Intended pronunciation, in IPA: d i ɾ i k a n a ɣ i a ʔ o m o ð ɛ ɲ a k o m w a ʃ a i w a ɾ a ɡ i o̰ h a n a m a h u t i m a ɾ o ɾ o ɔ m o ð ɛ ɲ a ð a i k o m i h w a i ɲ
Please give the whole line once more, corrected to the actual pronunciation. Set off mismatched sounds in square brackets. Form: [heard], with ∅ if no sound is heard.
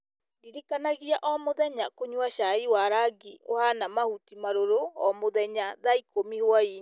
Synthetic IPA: d i ɾ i k a n a ɣ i a ʔ [ɔ] m o ð ɛ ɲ a k o [ɲ] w a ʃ a i w a ɾ a ɡ i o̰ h a n a m a h u t i m a ɾ o ɾ o ɔ m o ð ɛ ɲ a ð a i k o m i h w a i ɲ